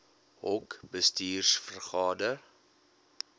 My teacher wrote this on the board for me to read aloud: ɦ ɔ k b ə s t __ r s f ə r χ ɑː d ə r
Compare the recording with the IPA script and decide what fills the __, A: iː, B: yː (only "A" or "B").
A